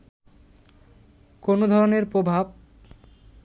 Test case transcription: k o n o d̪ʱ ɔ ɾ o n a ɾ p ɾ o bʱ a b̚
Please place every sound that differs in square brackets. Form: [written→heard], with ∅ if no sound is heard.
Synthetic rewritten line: k o n o d̪ʱ ɔ ɾ o n [a→e] ɾ p ɾ o bʱ a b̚